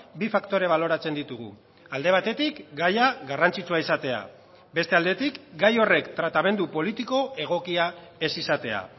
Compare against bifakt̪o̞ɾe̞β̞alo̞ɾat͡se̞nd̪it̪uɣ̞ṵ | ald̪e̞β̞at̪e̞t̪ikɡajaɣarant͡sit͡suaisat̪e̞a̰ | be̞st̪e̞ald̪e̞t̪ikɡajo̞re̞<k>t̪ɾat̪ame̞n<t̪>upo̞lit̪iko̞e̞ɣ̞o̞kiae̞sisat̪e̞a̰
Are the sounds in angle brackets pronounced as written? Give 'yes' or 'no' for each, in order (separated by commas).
yes, no